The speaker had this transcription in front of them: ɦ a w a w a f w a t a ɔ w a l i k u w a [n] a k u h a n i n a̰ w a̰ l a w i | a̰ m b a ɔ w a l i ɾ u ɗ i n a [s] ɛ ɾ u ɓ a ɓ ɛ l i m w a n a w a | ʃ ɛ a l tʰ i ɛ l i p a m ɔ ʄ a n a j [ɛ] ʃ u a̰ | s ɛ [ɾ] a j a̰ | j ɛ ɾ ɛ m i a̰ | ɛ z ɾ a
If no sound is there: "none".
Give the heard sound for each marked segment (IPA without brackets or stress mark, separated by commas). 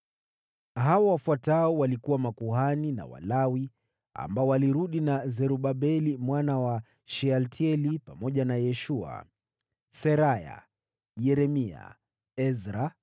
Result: m, z, ɛ, ɾ